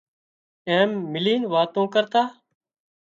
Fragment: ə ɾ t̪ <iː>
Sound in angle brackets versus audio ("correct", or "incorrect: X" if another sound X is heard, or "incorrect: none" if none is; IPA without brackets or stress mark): incorrect: aː